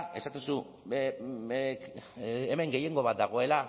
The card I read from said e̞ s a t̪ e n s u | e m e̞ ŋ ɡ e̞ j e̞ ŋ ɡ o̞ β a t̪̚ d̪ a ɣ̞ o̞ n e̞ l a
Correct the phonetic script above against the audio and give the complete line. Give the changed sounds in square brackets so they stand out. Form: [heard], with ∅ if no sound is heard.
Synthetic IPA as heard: e̞ s a t̪ e n s u | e m e̞ ŋ ɡ e̞ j e̞ ŋ ɡ o̞ β a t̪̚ d̪ a ɣ̞ o̞ [∅] e̞ l a